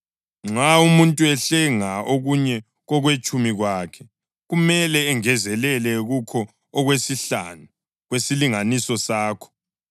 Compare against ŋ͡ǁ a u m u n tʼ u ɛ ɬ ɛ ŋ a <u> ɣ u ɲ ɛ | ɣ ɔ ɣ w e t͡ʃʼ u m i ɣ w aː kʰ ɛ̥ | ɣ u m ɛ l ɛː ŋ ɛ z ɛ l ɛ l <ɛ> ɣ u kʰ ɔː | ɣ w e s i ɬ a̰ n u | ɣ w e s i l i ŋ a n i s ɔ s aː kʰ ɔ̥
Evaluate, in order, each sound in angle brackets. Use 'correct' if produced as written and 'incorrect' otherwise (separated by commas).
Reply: incorrect, correct